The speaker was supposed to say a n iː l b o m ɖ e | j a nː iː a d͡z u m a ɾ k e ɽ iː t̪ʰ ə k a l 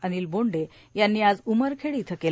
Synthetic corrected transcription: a n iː l b o ɳ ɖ e | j a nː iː a d͡z u m ə ɾ kʰ e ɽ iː t̪ʰ ə k e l